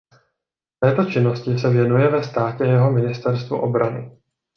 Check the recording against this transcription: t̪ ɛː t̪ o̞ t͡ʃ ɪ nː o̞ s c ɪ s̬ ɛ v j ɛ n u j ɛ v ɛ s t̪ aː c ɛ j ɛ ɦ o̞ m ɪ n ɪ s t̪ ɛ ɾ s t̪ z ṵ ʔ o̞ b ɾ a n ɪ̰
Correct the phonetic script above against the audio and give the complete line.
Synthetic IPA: t̪ ɛː t̪ o̞ t͡ʃ ɪ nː o̞ s c ɪ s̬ ɛ v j ɛ n u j ɛ v ɛ s t̪ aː c ɛ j ɛ ɦ o̞ m ɪ n ɪ s t̪ ɛ ɾ s t̪ v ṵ ʔ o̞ b ɾ a n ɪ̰